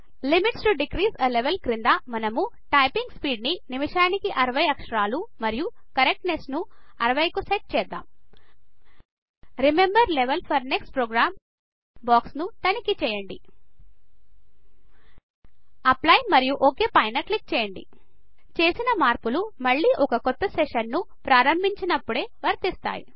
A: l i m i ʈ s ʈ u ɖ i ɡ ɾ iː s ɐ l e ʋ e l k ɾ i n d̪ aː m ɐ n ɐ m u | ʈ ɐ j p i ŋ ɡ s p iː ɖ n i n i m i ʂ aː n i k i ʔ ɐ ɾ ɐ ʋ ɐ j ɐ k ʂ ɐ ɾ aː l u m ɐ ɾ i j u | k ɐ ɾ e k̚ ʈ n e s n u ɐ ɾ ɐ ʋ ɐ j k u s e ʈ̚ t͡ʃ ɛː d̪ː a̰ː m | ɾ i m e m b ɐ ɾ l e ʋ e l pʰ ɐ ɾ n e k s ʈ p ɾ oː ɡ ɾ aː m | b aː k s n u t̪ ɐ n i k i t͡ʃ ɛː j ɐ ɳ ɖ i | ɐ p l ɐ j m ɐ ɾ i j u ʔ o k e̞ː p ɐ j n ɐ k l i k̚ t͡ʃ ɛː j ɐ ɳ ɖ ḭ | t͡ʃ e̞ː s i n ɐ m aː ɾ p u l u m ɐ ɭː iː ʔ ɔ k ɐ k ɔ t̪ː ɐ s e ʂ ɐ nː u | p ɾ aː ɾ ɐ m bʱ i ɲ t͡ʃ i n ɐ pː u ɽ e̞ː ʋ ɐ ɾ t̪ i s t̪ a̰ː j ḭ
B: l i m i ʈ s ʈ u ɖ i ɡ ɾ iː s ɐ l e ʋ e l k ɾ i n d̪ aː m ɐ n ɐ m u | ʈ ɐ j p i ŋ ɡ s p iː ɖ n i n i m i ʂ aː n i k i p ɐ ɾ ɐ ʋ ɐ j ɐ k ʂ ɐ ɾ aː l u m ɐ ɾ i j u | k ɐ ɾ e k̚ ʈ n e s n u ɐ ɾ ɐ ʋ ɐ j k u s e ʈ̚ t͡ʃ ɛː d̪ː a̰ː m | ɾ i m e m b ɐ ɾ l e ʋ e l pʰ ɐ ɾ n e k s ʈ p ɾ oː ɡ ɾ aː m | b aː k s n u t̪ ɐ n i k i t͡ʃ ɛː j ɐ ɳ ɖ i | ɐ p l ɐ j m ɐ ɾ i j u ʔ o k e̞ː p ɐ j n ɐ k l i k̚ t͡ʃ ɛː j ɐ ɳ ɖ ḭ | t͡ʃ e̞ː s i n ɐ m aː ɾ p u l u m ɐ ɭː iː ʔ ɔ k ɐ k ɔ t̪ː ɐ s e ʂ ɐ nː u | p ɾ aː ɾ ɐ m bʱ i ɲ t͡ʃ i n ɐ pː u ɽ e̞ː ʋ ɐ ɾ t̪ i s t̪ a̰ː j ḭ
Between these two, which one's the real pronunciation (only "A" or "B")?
A